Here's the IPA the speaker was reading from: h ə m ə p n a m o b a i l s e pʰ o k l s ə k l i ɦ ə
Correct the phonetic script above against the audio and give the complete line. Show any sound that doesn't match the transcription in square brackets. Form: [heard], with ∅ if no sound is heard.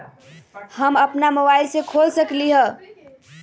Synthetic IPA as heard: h ə m ə p n a m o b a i l s e [kʰ] o [∅] l s ə k l i ɦ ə